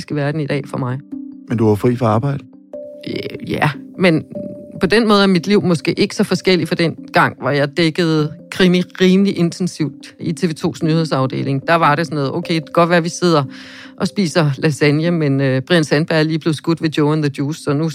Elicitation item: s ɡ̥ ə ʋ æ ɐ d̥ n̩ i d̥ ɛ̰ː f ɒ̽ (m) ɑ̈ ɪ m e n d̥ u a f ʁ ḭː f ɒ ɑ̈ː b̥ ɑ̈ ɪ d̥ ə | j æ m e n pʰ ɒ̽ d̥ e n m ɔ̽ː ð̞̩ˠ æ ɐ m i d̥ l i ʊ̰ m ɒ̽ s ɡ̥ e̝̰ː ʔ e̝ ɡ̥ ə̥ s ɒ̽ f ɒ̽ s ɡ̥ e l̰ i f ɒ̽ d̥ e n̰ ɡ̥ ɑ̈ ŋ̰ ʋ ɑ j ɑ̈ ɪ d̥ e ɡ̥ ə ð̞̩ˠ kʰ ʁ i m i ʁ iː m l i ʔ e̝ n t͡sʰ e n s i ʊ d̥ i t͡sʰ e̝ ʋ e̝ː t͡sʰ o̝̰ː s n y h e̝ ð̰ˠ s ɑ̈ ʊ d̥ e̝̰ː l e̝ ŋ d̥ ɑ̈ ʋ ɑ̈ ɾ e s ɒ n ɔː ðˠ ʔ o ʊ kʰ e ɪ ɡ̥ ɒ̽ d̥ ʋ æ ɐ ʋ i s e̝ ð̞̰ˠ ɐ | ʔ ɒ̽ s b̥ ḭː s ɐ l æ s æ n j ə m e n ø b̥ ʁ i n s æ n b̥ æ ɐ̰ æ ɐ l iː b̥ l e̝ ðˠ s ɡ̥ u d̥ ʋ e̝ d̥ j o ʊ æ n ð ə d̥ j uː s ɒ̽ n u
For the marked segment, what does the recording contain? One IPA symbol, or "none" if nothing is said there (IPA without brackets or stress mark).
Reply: m